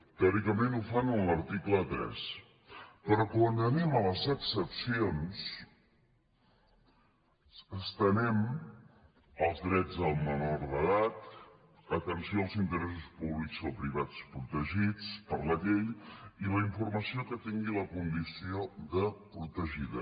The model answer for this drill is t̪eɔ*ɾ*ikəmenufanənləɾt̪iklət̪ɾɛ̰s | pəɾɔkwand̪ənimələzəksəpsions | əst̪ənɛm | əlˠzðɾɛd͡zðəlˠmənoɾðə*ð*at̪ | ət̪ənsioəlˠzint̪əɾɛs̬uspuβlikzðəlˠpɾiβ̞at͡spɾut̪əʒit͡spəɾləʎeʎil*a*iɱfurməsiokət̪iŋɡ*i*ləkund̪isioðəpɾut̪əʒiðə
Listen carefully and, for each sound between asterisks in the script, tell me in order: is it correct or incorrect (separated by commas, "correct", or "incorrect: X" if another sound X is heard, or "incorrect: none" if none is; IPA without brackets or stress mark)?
correct, correct, incorrect: ə, correct